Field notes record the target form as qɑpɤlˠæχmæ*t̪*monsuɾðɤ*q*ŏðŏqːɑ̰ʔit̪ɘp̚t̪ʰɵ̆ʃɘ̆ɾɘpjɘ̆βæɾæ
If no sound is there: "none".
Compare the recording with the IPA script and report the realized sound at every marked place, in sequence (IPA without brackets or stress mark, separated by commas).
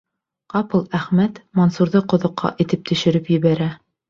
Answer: t̪, q